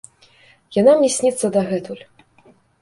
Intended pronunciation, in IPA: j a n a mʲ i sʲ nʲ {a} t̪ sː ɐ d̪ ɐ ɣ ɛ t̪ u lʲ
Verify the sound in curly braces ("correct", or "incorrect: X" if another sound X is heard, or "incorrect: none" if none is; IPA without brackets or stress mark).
incorrect: i